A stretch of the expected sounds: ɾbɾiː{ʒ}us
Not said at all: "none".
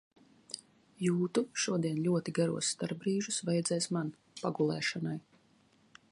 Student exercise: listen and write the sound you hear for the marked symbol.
ʒ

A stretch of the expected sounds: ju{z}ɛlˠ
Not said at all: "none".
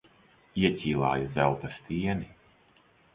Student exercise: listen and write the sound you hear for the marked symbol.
z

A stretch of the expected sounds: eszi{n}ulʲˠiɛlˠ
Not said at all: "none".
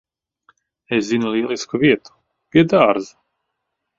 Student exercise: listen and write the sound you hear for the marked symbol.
n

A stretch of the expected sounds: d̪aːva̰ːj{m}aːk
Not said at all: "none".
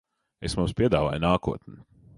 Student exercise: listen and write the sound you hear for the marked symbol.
n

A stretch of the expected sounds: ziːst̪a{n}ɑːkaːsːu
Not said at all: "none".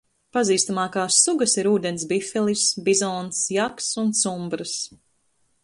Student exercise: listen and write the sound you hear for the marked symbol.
m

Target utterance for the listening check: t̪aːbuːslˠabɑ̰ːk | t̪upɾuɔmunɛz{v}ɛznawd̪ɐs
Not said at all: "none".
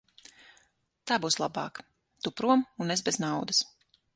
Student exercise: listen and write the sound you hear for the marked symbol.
b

